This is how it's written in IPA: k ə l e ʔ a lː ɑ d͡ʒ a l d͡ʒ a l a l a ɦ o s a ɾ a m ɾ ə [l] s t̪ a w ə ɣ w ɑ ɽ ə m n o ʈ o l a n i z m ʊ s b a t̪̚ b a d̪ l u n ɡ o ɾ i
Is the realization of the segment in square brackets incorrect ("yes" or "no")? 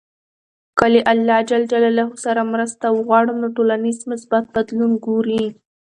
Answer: yes